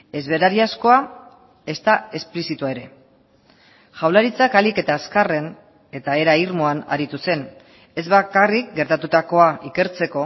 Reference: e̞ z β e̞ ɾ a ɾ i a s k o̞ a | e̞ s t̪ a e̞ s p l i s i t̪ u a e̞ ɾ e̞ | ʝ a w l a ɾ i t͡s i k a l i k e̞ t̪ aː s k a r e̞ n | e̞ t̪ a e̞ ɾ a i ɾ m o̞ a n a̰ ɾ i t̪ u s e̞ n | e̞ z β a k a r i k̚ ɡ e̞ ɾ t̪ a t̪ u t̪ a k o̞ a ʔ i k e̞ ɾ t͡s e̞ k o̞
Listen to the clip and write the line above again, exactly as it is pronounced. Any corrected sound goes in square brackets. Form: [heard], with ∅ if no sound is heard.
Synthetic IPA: e̞ z β e̞ ɾ a ɾ i a s k o̞ a | e̞ s t̪ a e̞ s p l i s i t̪ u a e̞ ɾ e̞ | ʝ a w l a ɾ i t͡s [a] k a l i k e̞ t̪ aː s k a r e̞ n | e̞ t̪ a e̞ ɾ a i ɾ m o̞ a n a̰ ɾ i t̪ u s e̞ n | e̞ z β a k a r i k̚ ɡ e̞ ɾ t̪ a t̪ u t̪ a k o̞ a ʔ i k e̞ ɾ t͡s e̞ k o̞